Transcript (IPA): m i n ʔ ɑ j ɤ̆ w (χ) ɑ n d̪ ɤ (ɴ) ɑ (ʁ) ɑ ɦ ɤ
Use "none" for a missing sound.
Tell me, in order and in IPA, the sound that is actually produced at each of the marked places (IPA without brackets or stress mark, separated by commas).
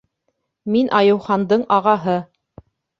χ, ɴ, ʁ